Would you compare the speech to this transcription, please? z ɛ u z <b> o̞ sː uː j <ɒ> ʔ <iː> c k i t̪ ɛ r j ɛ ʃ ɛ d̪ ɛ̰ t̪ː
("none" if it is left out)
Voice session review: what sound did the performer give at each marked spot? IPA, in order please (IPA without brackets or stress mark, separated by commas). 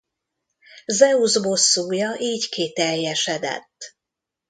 b, ɒ, iː